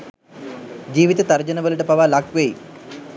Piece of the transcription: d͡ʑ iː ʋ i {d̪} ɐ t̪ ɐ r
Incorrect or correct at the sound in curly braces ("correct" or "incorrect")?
incorrect